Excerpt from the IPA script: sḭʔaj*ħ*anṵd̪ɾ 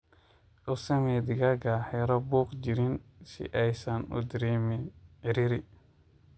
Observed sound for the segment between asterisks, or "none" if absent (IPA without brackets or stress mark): s